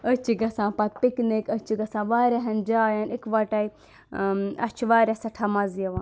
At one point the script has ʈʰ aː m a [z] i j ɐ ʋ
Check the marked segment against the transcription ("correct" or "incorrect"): correct